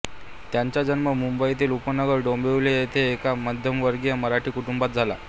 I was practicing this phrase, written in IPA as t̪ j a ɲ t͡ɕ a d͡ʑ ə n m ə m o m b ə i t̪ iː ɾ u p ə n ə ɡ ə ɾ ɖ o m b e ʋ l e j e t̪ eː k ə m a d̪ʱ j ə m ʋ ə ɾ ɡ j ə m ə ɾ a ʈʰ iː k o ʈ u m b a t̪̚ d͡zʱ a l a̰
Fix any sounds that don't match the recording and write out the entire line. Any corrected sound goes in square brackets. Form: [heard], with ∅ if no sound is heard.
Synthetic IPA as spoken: t̪ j a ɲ t͡ɕ a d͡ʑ ə n m ə m [u] m b ə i t̪ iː [l] u p ə n ə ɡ ə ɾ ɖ o m b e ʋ l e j e [t̪ʰ] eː k [a] m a d̪ʱ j ə m ʋ ə ɾ ɡ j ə m ə ɾ a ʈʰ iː k [u] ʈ u m b a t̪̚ d͡zʱ a l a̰